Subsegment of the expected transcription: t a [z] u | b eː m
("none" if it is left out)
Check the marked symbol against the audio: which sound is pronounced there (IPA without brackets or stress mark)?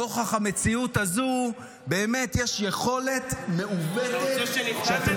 z